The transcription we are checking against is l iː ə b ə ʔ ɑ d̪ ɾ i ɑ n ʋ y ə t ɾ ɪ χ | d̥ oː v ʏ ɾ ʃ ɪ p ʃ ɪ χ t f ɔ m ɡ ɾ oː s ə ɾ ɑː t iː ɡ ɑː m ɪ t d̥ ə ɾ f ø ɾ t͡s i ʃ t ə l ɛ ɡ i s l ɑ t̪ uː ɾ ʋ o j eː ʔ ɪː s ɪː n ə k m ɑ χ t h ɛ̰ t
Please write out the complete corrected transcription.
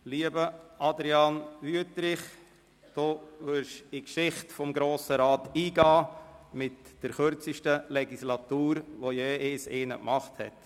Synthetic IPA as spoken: l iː ə b ə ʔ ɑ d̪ ɾ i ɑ n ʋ y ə t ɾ ɪ χ | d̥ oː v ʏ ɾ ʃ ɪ k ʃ ɪ χ t f ɔ m ɡ ɾ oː s ə ɾ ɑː t iː ɡ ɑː m ɪ t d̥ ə ɾ χ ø ɾ t͡s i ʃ t ə l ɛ ɡ i s l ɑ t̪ uː ɾ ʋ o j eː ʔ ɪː s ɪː n ə k m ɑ χ t h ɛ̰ t